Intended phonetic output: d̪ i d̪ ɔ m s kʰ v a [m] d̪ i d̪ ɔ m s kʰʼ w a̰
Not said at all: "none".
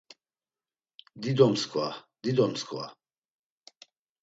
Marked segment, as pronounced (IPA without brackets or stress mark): none